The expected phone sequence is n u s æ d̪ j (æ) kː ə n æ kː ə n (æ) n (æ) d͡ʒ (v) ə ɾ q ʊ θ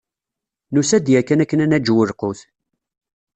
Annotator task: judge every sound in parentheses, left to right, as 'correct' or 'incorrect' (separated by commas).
correct, correct, correct, incorrect